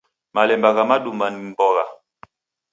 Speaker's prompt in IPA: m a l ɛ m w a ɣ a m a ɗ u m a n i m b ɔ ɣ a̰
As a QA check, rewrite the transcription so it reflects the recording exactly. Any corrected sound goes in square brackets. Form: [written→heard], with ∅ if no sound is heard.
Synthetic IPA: m a l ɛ m [w→b] a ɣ a m a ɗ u m a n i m b ɔ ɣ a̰

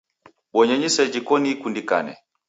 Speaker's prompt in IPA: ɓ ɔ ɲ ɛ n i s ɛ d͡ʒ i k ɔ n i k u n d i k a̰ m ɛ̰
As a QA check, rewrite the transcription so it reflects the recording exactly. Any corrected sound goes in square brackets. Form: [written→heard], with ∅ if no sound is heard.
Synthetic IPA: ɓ ɔ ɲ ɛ [n→ɲ] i s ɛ d͡ʒ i k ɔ n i k u n d i k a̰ [m→n] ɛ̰

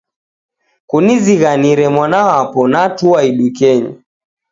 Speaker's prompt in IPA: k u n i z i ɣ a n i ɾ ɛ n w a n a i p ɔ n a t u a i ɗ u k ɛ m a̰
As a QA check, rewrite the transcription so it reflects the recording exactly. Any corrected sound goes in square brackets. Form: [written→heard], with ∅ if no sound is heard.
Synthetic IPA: k u n i z i ɣ a n i ɾ ɛ [n→m] w a n a [i→a] p ɔ n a t u a i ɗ u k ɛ [m→ɲ] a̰

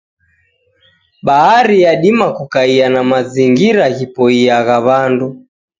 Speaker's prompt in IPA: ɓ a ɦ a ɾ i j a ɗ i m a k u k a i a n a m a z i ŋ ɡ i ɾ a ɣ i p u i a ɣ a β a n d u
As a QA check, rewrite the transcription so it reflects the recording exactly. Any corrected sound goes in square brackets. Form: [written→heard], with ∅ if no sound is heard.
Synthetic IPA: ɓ a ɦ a ɾ i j a ɗ i m a k u k a i a n a m a z i ŋ ɡ i ɾ a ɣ i p [u→ɔ] i a ɣ a β a n d u

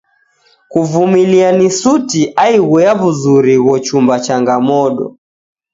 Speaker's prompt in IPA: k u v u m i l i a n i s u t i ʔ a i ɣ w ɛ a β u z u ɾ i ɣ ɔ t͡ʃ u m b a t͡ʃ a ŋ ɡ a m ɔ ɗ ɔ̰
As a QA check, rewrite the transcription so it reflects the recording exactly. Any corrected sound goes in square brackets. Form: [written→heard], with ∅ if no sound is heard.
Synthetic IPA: k u v u m i l i a n i s u t i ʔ a i ɣ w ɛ a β u z u ɾ i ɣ ɔ t͡ʃ u m b a t͡ʃ a ŋ ɡ a m ɔ ɗ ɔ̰

